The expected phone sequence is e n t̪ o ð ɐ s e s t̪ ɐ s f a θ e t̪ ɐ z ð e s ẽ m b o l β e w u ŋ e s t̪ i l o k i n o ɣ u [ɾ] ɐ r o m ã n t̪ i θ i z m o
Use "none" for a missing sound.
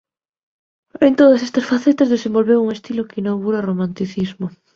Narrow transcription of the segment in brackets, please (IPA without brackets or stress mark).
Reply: ɾ